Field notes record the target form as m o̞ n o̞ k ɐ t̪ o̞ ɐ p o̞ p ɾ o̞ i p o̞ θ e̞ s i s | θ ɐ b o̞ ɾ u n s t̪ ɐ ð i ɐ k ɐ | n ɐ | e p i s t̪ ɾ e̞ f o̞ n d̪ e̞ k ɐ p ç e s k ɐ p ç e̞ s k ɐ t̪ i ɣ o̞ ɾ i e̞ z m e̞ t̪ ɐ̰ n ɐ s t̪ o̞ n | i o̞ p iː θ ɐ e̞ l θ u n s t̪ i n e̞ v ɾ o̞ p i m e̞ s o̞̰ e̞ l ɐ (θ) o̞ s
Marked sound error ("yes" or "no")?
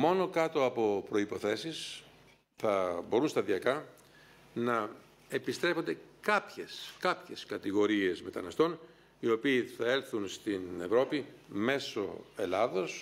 yes